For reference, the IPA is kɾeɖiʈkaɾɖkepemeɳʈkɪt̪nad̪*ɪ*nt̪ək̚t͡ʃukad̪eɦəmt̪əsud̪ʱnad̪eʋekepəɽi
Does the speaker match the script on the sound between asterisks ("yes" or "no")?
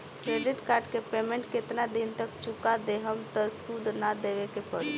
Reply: no